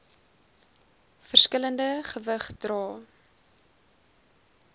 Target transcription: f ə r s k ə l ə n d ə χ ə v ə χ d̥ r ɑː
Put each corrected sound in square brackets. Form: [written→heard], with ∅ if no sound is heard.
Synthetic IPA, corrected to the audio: f ə r s k ə l ə n d ə χ ə v ə χ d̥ r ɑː